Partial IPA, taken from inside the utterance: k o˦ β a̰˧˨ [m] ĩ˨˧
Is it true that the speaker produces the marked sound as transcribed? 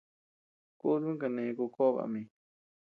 yes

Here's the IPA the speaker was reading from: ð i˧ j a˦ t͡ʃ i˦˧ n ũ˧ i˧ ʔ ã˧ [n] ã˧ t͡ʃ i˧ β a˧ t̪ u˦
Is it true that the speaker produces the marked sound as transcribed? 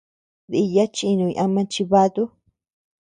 no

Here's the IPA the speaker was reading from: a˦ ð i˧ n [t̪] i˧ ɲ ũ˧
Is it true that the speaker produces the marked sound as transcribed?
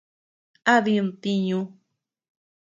yes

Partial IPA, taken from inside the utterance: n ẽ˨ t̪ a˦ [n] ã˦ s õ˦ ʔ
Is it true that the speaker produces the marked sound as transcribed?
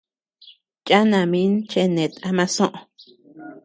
no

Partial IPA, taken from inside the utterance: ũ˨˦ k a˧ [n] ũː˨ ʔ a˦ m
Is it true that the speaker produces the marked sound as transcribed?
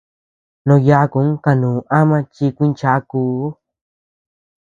yes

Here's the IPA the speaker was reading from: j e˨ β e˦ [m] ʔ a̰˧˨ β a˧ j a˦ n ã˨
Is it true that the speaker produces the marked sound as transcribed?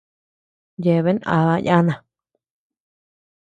no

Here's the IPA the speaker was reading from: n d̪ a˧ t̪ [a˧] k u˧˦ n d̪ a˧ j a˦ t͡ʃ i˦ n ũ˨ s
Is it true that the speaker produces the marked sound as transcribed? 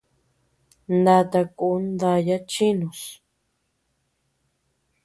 yes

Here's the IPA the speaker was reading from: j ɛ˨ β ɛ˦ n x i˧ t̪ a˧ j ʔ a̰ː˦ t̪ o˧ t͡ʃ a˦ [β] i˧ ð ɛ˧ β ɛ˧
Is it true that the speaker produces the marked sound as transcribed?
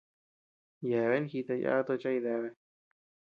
no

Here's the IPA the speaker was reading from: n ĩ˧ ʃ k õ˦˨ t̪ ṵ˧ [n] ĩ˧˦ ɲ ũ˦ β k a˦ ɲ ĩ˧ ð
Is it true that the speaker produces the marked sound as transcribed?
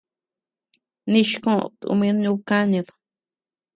no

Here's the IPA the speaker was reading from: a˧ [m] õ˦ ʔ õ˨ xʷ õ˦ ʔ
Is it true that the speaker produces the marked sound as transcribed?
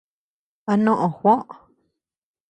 no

